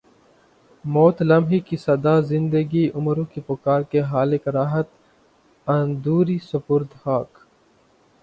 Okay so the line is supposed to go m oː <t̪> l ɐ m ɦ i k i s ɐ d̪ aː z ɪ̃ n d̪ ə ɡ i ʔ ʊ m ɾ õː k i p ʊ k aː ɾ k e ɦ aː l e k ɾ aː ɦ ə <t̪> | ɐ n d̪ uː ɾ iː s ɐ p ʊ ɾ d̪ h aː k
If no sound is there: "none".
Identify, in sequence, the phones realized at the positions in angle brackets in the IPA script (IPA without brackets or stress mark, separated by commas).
t̪, t̪